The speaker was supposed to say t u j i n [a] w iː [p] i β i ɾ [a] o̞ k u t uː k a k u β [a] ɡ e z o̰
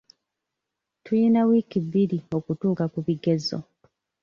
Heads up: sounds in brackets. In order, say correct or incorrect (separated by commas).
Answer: correct, incorrect, incorrect, incorrect